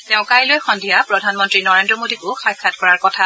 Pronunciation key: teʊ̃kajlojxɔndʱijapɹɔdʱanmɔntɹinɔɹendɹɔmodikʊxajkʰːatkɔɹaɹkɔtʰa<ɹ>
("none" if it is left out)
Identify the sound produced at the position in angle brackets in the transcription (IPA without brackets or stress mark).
none